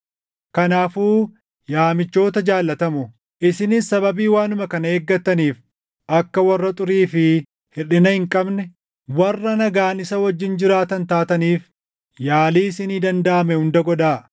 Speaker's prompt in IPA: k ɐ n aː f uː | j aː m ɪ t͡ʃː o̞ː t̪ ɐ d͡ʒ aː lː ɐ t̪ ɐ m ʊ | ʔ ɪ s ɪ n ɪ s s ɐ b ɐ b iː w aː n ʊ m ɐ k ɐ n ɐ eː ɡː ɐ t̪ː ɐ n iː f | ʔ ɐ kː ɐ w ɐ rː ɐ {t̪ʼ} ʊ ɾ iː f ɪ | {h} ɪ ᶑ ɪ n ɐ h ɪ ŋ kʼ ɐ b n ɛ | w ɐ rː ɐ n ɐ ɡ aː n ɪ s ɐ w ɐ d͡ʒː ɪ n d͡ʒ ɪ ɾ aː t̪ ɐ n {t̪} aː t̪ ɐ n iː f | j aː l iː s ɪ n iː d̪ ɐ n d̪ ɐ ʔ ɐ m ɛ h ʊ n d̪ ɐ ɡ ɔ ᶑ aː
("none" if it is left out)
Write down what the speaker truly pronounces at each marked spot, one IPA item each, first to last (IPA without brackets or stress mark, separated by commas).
t̪ʼ, h, t̪